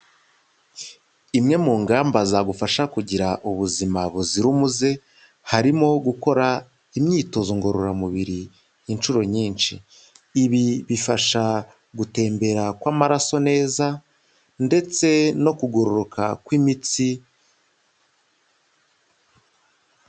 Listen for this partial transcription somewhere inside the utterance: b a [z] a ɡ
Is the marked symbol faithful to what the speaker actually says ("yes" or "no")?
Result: yes